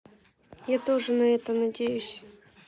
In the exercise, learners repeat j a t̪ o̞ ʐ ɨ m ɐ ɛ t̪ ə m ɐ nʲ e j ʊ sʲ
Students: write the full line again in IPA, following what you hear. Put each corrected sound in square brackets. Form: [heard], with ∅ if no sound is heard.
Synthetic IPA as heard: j a t̪ o̞ ʐ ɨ [n] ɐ ɛ t̪ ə [n] ɐ [dʲ] e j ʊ sʲ